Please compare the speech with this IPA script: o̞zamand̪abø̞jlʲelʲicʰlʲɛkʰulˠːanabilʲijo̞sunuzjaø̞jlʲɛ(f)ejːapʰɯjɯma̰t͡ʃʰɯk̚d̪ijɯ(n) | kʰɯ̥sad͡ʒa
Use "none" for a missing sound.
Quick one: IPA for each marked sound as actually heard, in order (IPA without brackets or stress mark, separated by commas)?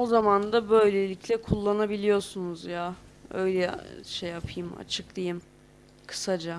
ʃ, m